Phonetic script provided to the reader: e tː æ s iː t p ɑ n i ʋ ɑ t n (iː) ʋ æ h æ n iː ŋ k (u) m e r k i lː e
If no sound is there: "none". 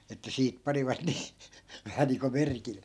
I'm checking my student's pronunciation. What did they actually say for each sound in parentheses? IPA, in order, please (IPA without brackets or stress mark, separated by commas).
iː, o